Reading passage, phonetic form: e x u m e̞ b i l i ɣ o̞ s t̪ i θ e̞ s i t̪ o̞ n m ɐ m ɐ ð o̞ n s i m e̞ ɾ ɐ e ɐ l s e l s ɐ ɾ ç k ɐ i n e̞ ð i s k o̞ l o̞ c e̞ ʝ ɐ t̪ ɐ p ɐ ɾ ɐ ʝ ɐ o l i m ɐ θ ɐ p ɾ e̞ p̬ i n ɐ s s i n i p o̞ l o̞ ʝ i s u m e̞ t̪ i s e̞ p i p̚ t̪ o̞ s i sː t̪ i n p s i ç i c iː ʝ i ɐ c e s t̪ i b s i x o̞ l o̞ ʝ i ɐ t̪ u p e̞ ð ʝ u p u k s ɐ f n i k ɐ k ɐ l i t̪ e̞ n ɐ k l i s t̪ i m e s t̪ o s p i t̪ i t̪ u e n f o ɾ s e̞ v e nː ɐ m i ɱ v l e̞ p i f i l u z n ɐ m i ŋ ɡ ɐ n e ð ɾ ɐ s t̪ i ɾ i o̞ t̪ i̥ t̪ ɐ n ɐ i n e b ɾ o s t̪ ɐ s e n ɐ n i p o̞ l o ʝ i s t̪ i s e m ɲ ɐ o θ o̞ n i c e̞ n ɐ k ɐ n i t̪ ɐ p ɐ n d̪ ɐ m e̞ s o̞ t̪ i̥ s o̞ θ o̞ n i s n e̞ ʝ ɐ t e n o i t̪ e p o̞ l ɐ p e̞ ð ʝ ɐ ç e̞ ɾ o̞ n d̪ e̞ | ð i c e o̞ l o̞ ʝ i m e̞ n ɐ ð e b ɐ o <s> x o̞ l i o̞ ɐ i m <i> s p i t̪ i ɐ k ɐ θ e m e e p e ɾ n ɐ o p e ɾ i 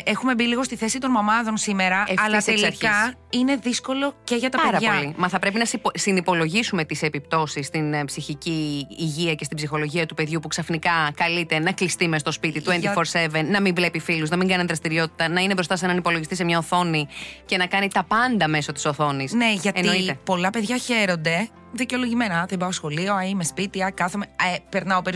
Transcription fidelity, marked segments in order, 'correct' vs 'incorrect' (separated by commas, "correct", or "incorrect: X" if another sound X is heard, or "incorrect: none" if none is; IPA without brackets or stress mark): correct, incorrect: e